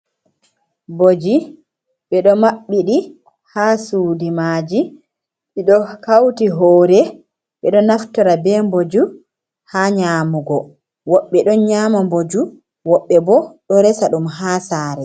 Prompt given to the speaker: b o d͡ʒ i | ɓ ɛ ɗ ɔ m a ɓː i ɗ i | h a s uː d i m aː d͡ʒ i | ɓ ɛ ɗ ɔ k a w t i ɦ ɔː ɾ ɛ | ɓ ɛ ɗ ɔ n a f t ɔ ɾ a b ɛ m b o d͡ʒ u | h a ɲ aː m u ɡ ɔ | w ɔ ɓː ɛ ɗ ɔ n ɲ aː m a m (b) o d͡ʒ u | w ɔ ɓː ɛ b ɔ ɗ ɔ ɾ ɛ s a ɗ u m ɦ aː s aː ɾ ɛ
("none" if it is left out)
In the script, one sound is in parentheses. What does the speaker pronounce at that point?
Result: b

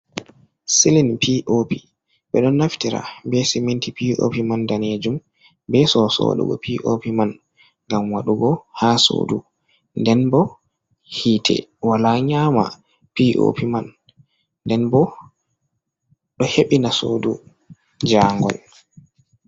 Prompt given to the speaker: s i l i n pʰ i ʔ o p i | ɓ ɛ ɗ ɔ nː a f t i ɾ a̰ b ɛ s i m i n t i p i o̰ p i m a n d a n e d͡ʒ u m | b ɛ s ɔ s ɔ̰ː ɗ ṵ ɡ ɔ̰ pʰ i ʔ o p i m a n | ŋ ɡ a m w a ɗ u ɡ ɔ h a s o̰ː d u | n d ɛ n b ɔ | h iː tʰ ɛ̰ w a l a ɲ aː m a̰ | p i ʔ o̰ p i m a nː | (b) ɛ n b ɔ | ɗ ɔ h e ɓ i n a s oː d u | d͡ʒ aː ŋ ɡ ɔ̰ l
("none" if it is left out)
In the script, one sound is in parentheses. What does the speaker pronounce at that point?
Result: d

